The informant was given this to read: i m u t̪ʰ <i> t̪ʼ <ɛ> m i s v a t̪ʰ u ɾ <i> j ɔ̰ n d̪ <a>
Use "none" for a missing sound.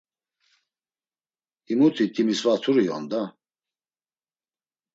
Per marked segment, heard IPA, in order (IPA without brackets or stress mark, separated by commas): i, i, i, a